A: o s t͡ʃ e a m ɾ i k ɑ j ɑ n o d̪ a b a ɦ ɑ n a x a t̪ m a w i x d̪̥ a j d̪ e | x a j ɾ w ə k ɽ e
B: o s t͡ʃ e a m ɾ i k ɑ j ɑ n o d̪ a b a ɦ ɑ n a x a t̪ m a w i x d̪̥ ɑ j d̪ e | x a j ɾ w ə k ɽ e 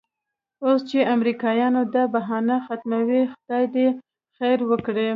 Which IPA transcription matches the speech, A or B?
B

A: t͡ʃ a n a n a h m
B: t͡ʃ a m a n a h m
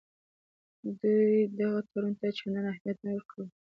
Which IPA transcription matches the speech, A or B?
A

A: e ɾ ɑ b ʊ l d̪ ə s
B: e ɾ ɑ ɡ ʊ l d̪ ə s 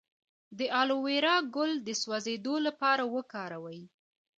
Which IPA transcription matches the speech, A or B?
B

